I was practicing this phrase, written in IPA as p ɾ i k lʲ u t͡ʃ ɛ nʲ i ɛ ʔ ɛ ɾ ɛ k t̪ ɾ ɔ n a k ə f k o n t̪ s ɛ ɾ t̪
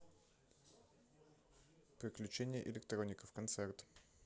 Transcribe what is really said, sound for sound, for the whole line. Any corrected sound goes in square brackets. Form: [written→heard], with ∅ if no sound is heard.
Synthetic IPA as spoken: p ɾ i k lʲ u t͡ʃ ɛ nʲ i ɛ ʔ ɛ [ɾ→l] ɛ k t̪ ɾ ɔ n [a→i] k ə f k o n t̪ s ɛ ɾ t̪